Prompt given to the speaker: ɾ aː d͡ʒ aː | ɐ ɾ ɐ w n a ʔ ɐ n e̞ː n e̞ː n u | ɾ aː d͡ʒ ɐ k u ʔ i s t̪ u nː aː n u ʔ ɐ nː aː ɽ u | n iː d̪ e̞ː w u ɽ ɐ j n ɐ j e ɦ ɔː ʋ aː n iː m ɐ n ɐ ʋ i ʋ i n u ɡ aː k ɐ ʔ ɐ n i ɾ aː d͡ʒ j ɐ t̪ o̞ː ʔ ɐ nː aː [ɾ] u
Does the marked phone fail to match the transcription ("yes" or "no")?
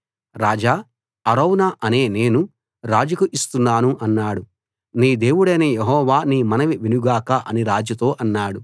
yes